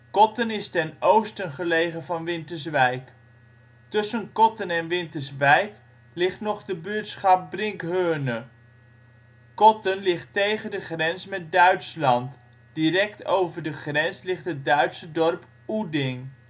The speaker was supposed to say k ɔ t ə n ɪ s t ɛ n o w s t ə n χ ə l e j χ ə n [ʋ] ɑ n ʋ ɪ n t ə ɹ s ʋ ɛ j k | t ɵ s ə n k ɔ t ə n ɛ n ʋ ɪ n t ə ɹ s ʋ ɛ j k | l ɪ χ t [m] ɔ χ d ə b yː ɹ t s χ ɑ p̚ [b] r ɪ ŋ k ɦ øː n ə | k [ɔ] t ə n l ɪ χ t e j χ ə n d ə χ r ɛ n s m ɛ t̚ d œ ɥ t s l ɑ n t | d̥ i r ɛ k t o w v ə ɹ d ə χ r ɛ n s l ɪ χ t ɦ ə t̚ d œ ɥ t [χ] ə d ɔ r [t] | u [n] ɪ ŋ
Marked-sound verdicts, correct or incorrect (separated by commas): incorrect, incorrect, correct, correct, incorrect, incorrect, incorrect